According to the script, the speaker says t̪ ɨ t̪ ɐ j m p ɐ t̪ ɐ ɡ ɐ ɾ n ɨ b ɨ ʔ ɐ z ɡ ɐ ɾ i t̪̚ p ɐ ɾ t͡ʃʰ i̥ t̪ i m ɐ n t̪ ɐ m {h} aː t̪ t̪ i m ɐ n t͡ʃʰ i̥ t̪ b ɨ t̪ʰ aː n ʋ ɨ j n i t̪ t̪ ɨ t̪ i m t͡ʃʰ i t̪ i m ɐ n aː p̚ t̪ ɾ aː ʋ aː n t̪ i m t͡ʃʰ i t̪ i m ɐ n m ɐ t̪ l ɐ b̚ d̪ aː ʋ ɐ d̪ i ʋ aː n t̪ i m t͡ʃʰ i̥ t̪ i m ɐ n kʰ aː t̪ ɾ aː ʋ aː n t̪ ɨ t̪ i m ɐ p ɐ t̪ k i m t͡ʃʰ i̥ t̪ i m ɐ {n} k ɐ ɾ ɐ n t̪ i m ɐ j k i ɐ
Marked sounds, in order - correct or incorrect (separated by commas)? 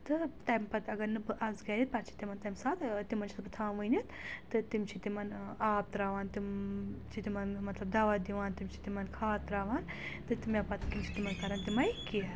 incorrect, correct